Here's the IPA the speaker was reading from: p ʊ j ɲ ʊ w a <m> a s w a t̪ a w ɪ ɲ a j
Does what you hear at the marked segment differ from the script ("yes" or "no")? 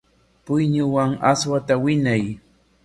yes